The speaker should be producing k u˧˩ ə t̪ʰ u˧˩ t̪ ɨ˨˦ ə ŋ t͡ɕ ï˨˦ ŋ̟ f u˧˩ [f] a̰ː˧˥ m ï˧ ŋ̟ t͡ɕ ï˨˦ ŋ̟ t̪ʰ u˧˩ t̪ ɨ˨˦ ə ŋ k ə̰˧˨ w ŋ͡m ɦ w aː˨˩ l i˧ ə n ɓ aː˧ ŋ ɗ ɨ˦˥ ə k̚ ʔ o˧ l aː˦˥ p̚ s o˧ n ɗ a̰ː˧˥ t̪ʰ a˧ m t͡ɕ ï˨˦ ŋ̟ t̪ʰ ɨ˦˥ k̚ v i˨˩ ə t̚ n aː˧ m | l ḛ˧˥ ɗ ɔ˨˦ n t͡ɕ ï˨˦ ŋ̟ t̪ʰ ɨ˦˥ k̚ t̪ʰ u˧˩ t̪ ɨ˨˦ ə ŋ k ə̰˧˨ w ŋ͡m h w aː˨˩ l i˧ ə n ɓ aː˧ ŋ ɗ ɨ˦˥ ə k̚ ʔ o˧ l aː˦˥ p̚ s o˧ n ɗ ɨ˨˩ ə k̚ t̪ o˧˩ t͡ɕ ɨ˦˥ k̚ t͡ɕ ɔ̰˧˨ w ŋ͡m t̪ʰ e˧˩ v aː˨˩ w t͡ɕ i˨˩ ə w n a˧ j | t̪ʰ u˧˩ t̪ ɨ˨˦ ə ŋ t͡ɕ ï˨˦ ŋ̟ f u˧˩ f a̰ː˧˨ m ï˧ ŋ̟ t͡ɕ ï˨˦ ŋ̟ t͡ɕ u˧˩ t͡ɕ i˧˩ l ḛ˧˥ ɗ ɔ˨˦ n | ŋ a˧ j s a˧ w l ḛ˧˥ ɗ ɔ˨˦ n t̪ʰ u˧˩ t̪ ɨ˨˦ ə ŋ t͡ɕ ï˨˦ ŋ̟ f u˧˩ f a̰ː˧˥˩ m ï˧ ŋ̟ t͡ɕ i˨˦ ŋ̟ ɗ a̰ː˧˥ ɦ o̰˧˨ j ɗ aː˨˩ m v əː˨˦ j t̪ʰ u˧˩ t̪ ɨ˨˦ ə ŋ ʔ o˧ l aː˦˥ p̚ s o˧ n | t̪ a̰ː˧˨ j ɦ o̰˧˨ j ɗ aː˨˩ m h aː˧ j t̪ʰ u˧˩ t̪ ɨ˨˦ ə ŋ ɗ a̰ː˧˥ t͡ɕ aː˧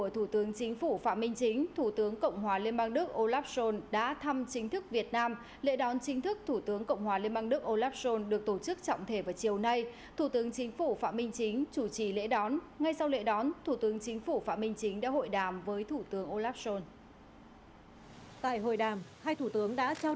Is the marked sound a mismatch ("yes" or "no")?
no